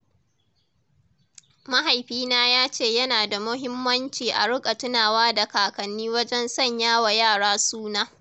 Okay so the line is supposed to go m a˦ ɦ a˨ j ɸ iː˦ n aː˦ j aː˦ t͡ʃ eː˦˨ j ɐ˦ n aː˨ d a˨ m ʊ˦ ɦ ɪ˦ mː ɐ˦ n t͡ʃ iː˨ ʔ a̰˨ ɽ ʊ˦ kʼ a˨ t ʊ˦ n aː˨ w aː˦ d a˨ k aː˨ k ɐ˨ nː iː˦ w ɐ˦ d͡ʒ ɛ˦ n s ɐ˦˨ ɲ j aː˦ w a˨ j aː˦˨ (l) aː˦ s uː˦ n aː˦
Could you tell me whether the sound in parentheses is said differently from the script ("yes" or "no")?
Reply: yes